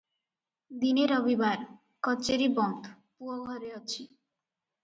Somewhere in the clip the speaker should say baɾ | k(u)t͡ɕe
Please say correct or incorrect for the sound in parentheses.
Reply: incorrect: ɔ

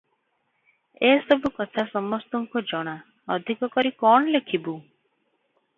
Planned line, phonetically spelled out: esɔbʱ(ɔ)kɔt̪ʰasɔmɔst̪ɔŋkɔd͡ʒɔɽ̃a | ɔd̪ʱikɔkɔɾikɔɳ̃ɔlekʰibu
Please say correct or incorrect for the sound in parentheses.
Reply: incorrect: u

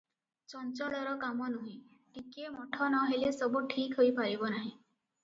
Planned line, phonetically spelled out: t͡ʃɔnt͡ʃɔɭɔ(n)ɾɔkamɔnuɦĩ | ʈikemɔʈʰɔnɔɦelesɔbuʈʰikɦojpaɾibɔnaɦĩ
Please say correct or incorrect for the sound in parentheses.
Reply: incorrect: none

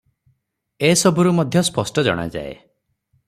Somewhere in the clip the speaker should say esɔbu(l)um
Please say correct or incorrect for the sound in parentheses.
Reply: incorrect: ɾ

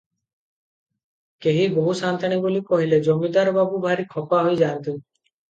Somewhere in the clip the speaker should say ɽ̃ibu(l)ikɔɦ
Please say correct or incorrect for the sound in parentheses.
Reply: correct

